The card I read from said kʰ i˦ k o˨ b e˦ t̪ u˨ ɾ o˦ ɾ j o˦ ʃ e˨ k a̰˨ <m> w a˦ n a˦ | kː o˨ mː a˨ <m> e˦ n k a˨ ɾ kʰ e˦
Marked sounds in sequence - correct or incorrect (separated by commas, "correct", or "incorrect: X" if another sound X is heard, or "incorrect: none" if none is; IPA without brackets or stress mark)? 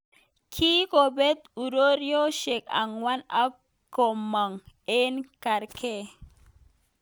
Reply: incorrect: ŋ, incorrect: ŋ